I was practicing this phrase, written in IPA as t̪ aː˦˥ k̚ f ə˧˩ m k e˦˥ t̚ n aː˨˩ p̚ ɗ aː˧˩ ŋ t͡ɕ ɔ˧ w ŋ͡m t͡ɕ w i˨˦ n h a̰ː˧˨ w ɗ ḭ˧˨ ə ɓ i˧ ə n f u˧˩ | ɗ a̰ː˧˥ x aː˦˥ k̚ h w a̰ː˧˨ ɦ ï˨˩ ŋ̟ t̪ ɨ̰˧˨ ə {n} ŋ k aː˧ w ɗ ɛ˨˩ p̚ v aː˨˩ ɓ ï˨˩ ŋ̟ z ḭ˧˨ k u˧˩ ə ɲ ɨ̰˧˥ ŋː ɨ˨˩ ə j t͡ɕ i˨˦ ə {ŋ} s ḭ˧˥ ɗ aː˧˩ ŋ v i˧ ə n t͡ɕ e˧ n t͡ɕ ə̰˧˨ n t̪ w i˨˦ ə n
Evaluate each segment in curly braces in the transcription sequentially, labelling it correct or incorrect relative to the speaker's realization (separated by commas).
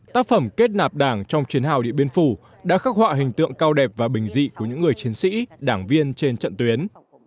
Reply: incorrect, incorrect